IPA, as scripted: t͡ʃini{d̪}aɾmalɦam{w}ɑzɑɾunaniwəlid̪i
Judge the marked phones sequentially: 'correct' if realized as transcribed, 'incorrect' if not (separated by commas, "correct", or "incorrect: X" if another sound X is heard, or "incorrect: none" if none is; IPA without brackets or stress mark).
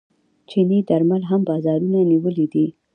correct, incorrect: b